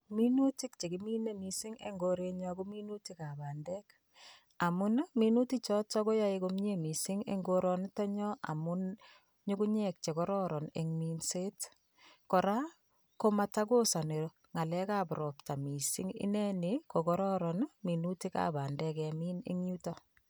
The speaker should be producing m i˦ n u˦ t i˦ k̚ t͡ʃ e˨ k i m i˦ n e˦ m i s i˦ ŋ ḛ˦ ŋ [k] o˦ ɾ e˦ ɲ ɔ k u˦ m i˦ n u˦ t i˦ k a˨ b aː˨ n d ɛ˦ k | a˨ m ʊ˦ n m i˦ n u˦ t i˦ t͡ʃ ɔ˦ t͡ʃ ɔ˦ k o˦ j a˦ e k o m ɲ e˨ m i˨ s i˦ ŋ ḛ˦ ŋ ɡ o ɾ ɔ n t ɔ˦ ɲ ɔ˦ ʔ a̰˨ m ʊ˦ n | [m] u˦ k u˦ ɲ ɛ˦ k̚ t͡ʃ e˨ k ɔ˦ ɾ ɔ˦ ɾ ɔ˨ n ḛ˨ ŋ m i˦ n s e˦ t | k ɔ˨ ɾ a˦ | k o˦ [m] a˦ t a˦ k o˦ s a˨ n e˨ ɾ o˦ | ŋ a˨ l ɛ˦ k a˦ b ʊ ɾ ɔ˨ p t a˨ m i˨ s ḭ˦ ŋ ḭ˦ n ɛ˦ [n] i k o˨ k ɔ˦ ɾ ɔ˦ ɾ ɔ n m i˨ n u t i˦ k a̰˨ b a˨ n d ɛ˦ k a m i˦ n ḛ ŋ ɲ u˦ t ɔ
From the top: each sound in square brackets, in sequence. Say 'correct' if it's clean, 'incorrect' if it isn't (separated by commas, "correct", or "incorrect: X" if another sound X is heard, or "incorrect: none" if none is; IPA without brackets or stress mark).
incorrect: ɡ, incorrect: ɲ, correct, correct